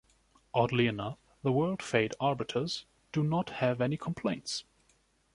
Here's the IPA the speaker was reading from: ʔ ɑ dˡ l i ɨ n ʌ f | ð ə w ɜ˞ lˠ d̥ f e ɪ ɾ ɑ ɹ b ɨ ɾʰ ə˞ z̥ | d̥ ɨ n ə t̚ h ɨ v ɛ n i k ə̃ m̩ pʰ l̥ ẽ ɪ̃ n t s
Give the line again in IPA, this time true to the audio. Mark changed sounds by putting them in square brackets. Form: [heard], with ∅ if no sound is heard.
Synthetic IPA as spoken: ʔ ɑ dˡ l i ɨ n ʌ f | ð ə w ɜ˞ lˠ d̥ f e ɪ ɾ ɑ ɹ b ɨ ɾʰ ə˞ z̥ | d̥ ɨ n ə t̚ h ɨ v ɛ n i [kʰ] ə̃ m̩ pʰ l̥ ẽ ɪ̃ n t s